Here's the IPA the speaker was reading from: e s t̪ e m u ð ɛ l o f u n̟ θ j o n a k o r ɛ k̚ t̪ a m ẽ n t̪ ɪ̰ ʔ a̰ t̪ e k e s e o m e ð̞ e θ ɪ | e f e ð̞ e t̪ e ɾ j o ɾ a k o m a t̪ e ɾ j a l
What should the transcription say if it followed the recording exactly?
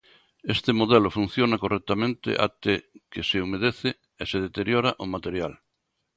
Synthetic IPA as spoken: e s t̪ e m o ð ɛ l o f u n̟ θ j o n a k o r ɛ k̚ t̪ a m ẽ n t̪ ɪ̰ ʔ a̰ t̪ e k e s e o m e ð̞ e θ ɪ | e s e ð̞ e t̪ e ɾ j o ɾ a ʔ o m a t̪ e ɾ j a l